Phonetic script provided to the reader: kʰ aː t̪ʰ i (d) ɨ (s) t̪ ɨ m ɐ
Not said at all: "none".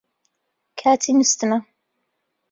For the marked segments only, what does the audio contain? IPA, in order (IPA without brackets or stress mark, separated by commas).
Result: n, s